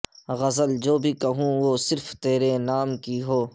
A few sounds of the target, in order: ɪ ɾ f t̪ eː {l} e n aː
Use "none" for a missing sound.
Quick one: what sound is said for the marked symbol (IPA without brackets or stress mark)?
ɾ